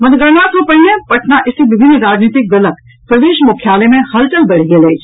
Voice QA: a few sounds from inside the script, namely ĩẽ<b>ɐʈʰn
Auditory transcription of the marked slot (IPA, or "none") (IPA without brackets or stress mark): p